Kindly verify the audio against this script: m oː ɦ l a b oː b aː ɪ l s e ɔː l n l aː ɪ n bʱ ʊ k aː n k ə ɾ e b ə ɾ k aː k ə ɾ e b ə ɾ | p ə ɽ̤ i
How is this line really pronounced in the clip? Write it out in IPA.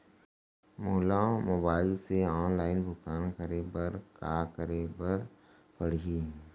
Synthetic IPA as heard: m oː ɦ l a m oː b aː ɪ l s e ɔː n l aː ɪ n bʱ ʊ k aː n k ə ɾ e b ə ɾ k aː k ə ɾ e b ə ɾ | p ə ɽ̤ i